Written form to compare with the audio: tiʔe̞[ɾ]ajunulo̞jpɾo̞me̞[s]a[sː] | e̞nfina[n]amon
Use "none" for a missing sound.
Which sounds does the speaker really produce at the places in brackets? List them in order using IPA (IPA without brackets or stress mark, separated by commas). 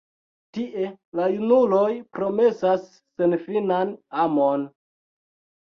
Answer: l, s, sː, n